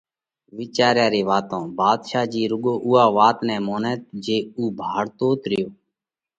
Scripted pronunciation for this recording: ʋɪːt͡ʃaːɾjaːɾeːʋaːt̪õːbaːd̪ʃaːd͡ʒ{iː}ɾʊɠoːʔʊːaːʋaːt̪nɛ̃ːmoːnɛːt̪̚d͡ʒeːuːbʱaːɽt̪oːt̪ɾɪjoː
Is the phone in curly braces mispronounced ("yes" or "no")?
no